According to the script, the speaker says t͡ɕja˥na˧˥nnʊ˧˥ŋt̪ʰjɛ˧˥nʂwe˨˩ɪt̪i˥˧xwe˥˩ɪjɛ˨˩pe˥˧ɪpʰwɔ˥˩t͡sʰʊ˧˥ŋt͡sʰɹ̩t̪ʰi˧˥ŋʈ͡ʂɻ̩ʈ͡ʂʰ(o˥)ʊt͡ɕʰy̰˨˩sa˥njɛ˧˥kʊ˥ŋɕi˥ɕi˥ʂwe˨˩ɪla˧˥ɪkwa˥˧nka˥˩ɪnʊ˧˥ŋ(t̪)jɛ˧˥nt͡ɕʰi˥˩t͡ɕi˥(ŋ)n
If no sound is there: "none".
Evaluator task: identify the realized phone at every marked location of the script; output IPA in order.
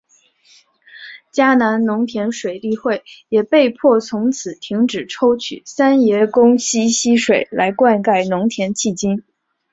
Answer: o˥, t̪ʰ, none

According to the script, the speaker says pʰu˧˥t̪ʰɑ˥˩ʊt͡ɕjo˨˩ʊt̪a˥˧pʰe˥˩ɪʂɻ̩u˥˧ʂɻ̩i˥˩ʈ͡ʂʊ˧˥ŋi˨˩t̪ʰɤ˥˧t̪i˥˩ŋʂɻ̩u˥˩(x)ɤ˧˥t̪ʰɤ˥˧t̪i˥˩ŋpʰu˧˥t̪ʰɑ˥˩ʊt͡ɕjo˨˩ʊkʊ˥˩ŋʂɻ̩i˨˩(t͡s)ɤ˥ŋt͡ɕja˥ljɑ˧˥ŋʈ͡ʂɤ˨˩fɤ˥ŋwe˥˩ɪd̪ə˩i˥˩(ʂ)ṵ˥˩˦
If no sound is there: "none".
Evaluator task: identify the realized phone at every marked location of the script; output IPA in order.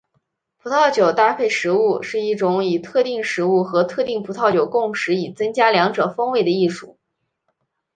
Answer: x, t͡s, ʂ

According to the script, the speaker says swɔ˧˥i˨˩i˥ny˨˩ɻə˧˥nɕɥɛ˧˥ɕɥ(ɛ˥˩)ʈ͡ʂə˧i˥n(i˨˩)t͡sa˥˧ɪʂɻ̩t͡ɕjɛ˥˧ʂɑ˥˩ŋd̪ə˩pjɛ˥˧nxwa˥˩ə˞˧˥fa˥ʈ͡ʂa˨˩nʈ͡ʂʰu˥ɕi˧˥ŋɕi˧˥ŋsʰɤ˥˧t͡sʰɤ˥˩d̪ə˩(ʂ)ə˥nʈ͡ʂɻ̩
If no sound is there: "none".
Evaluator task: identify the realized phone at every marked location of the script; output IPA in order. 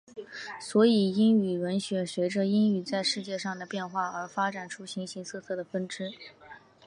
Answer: ɛ˧˥, y˨˩, f

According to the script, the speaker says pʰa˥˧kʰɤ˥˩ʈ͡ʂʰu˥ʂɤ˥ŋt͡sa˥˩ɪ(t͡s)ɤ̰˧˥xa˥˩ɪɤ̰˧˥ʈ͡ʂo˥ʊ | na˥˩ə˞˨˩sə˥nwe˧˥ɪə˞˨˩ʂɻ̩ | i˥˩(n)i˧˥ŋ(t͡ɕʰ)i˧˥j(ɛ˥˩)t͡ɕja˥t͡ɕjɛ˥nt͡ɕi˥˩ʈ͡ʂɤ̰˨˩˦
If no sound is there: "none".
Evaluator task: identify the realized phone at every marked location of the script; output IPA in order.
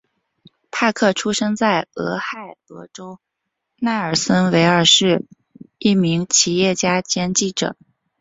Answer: none, m, t͡ɕʰ, ɛ˥˩

